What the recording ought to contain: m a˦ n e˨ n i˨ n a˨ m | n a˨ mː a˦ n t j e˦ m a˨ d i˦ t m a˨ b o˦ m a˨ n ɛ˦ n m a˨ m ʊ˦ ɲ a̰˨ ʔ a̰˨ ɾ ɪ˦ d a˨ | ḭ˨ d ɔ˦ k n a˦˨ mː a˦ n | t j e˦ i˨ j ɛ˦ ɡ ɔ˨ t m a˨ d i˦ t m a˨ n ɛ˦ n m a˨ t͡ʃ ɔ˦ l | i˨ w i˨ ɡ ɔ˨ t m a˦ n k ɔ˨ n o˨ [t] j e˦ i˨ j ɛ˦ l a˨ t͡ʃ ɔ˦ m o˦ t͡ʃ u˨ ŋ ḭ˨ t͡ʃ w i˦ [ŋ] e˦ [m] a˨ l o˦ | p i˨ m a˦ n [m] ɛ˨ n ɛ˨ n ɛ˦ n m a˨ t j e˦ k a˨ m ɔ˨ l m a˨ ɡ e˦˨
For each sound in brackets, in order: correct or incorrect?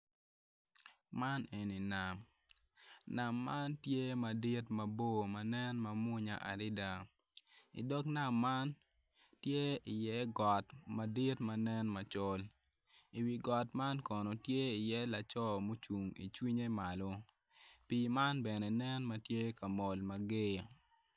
correct, incorrect: ɲ, correct, incorrect: b

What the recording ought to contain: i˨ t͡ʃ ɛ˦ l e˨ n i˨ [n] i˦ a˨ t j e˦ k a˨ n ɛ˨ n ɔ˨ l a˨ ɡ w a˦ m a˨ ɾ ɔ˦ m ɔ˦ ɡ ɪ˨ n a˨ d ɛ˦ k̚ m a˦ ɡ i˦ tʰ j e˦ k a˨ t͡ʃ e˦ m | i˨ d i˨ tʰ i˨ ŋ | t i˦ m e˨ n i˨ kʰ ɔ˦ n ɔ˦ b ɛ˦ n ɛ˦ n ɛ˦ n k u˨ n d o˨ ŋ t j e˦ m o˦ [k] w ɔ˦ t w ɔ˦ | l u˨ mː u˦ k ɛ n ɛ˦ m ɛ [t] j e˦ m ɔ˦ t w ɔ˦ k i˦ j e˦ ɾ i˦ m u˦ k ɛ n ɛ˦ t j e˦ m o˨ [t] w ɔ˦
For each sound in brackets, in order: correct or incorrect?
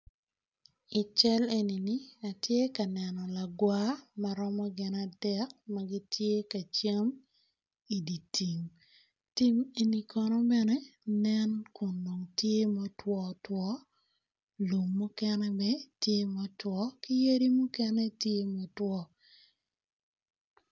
correct, incorrect: t, correct, correct

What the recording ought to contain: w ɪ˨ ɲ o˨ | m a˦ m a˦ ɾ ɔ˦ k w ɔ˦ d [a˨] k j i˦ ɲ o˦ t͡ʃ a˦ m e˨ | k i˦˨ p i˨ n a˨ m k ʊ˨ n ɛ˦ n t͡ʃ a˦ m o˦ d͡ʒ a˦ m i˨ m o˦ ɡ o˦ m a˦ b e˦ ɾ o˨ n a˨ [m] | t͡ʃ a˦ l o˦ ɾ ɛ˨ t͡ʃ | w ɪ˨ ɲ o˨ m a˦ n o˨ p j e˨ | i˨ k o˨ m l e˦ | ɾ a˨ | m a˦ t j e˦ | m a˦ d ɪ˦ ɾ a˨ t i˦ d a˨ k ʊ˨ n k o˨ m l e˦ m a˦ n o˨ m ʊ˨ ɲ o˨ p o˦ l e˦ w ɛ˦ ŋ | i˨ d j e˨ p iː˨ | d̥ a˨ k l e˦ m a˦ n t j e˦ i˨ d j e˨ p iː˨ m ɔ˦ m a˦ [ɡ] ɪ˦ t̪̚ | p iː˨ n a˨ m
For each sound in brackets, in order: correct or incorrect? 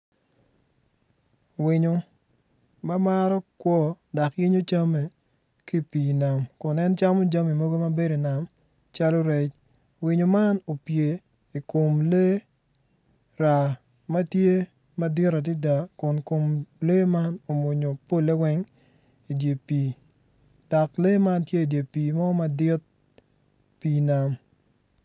correct, correct, incorrect: d

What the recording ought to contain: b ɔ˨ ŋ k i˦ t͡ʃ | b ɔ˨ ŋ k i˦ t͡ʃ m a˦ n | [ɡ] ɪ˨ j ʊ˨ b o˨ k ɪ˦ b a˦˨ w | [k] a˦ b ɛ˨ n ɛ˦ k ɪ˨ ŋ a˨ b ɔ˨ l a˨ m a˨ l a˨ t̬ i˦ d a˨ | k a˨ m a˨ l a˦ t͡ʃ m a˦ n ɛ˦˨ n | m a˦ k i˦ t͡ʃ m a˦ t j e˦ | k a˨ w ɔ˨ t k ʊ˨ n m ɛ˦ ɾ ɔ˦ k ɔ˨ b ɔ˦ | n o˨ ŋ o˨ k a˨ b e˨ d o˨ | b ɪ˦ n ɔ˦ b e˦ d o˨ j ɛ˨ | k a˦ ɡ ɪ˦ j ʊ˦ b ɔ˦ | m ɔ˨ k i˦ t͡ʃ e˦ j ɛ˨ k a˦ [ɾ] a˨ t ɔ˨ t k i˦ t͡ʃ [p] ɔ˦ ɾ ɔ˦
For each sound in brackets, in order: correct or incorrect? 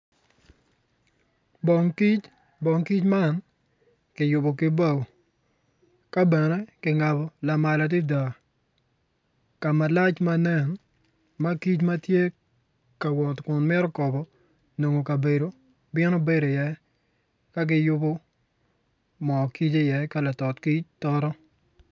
incorrect: k, correct, incorrect: l, incorrect: t

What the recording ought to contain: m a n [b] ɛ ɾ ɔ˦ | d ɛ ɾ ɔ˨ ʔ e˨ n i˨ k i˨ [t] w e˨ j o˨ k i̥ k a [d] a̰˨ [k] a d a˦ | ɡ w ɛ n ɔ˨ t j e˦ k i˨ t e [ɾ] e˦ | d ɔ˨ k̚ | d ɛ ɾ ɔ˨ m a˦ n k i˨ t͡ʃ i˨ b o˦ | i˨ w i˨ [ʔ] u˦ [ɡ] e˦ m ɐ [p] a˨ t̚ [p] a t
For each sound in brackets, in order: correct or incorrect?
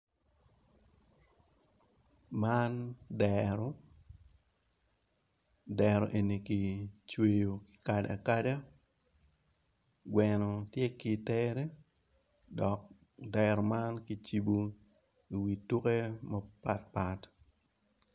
incorrect: d, incorrect: t͡ʃ, correct, correct, correct, incorrect: t, incorrect: k, correct, correct

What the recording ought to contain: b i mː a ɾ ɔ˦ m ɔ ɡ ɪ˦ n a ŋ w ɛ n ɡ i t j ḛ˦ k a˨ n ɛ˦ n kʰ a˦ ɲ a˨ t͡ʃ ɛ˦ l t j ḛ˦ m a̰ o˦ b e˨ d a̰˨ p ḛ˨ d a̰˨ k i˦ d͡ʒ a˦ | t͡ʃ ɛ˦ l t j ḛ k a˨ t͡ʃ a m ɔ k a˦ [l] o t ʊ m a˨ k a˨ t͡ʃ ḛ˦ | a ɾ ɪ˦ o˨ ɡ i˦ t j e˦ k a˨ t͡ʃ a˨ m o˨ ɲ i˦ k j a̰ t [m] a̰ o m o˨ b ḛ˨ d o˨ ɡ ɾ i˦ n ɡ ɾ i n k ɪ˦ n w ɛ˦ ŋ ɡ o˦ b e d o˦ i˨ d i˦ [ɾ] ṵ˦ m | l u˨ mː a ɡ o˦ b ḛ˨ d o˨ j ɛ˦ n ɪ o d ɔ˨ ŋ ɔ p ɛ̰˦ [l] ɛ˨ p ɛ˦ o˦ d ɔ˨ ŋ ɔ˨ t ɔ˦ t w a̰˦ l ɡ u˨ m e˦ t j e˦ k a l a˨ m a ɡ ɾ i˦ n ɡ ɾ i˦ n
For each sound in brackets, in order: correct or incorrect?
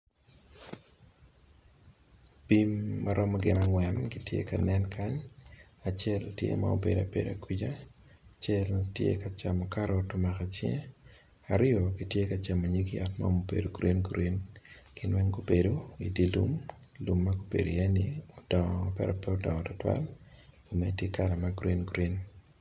incorrect: ɾ, correct, incorrect: l, incorrect: ɾ

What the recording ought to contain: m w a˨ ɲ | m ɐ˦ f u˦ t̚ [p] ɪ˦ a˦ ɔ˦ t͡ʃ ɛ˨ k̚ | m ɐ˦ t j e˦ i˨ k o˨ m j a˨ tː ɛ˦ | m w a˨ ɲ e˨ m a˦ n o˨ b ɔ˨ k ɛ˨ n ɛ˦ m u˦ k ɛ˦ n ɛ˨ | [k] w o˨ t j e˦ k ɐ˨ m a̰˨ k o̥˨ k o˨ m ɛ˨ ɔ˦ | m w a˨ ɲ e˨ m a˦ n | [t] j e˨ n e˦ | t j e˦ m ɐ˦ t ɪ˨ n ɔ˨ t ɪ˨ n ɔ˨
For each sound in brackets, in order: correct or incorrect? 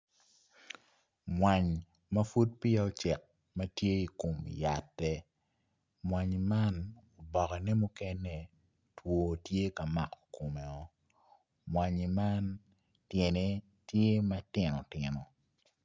correct, incorrect: t, correct

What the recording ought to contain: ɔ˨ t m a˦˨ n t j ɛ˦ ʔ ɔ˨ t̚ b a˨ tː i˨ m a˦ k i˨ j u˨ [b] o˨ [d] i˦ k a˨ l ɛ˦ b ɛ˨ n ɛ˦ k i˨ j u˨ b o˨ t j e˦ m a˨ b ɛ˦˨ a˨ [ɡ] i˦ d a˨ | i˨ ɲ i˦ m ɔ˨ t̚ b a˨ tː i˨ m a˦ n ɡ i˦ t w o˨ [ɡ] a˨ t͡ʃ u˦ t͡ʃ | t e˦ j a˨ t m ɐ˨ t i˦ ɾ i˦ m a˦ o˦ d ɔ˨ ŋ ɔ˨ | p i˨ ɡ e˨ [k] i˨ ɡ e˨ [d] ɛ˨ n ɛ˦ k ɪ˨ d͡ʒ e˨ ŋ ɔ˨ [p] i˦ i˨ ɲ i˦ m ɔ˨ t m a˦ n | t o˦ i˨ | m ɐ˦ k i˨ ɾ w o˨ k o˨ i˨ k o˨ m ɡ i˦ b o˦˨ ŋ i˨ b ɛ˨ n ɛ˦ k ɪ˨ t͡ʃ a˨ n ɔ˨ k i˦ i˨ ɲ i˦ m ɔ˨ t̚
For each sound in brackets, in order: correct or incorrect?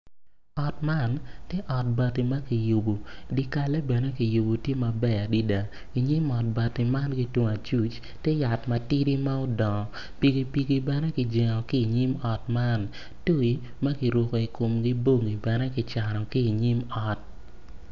correct, correct, incorrect: d, incorrect: ŋ, incorrect: p, incorrect: b, incorrect: k

